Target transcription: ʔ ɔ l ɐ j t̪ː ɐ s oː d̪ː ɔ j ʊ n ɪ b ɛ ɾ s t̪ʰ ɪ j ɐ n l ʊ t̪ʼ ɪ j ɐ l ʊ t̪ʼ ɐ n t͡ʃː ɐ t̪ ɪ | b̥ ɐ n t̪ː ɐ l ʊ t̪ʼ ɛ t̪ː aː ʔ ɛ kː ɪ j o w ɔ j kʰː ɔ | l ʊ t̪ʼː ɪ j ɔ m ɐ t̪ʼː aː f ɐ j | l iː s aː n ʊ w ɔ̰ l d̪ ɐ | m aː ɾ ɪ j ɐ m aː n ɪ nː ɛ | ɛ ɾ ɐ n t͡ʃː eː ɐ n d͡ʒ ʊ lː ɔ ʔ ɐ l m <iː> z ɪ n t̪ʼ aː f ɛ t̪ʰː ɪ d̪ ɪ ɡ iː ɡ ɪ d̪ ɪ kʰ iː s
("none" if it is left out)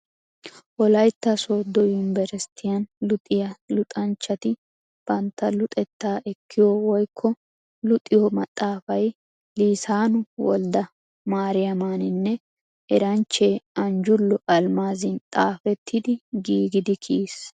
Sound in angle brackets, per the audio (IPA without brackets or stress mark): aː